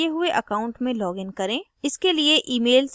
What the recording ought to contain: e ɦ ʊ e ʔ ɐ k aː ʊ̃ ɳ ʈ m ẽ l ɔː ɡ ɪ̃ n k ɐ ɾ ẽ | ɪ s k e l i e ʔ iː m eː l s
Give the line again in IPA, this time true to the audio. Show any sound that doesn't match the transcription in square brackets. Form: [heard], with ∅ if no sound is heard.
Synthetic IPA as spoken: e ɦ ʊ e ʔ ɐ k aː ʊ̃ ɳ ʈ m ẽ l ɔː ɡ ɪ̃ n k ɐ ɾ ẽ | ɪ s k e l i e ʔ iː m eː l s

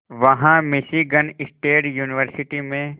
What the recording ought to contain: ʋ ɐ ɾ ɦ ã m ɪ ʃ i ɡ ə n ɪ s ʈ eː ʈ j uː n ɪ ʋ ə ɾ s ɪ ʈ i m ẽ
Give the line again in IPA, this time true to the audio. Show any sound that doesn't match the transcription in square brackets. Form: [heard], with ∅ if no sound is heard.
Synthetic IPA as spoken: ʋ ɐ [∅] ɦ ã m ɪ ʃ i ɡ ə n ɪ s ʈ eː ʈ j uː n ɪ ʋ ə ɾ s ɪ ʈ i m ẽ

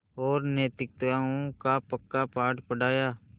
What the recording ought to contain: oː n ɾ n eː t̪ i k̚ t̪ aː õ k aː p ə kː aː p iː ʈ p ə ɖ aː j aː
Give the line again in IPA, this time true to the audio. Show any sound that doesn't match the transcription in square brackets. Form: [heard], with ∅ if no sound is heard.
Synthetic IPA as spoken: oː [∅] ɾ n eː t̪ [ɪ] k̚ t̪ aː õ k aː p ə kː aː p [aː] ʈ p ə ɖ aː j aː

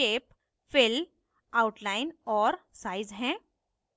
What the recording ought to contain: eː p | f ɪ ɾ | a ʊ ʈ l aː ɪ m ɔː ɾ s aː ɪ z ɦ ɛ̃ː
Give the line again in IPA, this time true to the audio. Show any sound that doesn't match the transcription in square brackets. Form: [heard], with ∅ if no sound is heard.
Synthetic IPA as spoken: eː p | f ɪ [l] | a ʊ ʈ l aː ɪ [n] ɔː ɾ s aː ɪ z ɦ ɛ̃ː

